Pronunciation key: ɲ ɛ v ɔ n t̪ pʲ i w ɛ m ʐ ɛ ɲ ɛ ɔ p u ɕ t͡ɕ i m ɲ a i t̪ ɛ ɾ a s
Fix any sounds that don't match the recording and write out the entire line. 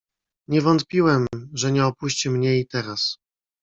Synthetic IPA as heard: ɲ ɛ v ɔ n t̪ pʲ i w ɛ m ʐ ɛ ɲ ɛ ɔ p u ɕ t͡ɕ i m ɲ ɛ i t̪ ɛ ɾ a s